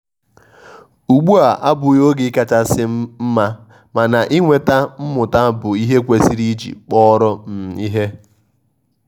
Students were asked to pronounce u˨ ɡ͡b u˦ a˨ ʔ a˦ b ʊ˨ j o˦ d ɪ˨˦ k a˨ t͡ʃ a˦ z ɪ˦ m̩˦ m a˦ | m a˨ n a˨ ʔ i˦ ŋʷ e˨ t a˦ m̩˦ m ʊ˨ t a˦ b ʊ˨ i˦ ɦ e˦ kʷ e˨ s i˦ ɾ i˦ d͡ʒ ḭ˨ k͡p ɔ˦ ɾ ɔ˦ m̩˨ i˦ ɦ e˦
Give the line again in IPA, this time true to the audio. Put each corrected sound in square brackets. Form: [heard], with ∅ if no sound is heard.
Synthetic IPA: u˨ ɡ͡b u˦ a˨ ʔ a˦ b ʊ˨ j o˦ [ɡ] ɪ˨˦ k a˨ t͡ʃ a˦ [s] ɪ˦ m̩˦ m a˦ | m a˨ n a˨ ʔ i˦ ŋʷ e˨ t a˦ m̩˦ m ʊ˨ t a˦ b ʊ˨ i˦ ɦ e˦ kʷ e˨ s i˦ ɾ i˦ d͡ʒ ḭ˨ k͡p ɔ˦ ɾ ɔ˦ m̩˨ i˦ ɦ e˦